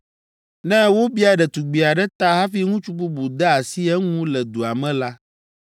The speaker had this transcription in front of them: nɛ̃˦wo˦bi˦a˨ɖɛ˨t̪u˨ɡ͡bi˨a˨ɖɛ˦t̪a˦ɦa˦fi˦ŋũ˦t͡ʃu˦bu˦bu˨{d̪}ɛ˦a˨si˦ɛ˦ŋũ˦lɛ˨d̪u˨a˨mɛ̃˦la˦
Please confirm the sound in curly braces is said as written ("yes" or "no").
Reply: yes